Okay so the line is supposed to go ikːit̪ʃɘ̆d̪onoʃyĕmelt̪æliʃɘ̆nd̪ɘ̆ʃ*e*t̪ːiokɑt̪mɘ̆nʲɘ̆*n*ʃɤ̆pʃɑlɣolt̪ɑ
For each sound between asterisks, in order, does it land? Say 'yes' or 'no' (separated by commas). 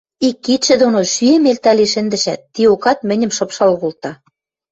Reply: no, no